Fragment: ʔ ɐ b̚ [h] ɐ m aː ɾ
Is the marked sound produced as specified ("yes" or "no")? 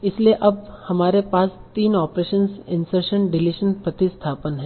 yes